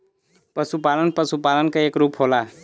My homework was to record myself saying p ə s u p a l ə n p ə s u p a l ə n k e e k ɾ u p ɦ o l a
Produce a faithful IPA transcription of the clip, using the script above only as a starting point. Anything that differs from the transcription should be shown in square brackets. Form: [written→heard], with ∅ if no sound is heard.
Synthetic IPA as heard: p ə s u p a l ə n p ə s u p a l ə n k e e k ɾ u p ɦ o l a